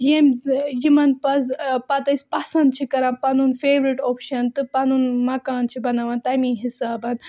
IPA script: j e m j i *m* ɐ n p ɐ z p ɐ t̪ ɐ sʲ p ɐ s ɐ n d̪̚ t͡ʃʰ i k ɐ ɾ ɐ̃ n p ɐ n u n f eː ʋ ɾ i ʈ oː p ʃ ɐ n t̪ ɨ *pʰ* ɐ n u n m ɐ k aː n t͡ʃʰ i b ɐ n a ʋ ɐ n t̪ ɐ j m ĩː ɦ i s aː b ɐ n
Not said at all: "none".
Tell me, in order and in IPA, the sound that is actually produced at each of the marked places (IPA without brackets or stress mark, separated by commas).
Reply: m, p